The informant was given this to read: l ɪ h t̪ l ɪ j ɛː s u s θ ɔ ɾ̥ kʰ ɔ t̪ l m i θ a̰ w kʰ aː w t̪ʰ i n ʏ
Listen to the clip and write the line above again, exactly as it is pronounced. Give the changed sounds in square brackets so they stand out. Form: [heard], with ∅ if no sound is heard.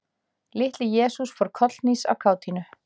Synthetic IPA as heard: l ɪ h t̪ l ɪ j ɛː s u s [f] ɔ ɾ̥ kʰ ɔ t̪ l [n] i [s] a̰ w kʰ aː w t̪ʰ i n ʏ